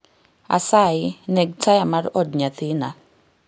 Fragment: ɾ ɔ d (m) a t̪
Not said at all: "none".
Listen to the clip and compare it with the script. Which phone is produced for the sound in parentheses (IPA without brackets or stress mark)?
ɲ